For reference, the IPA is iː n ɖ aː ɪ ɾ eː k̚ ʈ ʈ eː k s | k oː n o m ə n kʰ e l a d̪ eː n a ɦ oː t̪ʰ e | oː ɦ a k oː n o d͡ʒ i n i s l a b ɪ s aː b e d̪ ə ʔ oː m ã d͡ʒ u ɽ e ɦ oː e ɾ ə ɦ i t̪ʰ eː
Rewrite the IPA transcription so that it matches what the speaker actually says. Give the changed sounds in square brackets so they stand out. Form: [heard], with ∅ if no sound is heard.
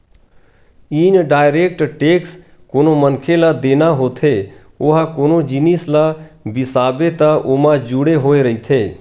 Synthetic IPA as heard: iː n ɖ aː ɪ ɾ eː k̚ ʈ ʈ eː k s | k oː n o m ə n kʰ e l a d̪ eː n a ɦ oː t̪ʰ e | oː ɦ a k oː n o d͡ʒ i n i s l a b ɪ s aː b e [t̪] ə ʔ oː m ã d͡ʒ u ɽ e ɦ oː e ɾ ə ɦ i t̪ʰ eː